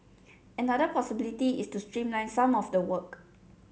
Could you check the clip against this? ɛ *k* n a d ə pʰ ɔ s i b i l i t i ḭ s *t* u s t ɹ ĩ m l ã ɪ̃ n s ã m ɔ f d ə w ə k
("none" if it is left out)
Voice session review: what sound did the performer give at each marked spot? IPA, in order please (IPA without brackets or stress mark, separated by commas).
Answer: none, t